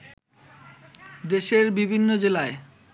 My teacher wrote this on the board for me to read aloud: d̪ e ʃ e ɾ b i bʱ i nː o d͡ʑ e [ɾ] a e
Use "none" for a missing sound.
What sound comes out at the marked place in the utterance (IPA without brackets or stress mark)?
l